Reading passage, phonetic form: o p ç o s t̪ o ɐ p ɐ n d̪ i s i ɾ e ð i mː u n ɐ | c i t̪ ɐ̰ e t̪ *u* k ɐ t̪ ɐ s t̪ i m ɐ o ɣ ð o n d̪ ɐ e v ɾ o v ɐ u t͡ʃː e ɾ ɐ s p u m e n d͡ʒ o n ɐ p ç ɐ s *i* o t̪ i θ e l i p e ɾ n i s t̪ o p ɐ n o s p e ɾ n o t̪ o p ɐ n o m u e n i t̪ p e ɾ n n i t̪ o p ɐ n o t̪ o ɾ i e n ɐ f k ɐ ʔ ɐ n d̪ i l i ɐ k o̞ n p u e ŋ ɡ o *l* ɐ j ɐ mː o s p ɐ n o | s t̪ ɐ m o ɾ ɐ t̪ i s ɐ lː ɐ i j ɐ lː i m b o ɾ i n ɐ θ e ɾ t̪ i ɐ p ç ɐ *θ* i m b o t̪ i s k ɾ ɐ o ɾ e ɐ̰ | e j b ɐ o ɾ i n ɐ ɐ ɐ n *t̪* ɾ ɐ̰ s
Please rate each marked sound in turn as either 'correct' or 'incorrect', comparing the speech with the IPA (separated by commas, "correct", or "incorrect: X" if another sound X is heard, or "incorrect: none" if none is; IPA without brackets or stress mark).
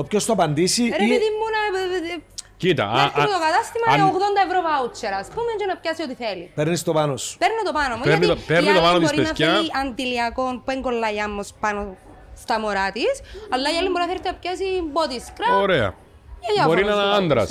incorrect: o, correct, incorrect: lː, incorrect: s, incorrect: d̪